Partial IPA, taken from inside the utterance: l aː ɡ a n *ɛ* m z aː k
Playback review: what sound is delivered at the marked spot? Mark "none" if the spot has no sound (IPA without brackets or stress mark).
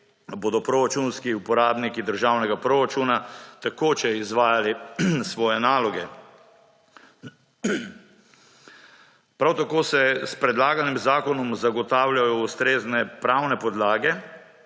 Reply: i